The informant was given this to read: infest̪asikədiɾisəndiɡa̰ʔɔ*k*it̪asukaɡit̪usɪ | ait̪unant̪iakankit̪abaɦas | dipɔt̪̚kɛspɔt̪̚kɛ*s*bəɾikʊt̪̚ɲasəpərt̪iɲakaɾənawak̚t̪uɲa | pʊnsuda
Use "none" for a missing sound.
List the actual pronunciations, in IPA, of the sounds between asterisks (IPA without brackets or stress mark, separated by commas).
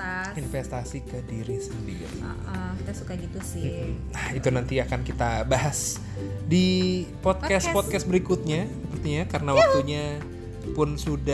k, s